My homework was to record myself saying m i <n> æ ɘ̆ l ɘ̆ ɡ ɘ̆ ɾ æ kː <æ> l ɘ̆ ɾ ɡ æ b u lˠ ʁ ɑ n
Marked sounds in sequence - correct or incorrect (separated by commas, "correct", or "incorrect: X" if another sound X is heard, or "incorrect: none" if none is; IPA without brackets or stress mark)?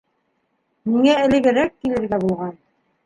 incorrect: ŋ, incorrect: i